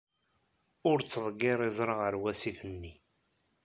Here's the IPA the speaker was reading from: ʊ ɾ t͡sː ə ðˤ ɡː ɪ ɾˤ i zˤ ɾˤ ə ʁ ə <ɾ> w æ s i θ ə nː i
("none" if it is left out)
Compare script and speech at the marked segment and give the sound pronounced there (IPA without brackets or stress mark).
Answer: ɾ